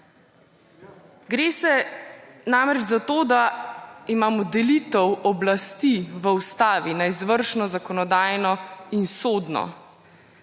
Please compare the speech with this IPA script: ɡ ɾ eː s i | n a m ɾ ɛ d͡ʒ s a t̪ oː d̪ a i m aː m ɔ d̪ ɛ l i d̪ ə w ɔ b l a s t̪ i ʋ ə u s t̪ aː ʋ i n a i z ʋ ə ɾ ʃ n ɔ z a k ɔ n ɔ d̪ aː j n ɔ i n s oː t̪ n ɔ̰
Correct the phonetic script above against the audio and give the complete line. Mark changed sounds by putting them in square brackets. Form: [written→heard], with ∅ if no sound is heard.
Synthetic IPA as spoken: ɡ ɾ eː s [i→ɛ] | n a m ɾ ɛ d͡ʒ [s→z] a t̪ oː d̪ a i m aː m ɔ d̪ ɛ l i [d̪→t̪] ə w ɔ b l a s t̪ i ʋ ə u s t̪ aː ʋ i n a i z ʋ ə ɾ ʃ n ɔ z a k ɔ n ɔ d̪ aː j n ɔ i n s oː [t̪→d̪] n ɔ̰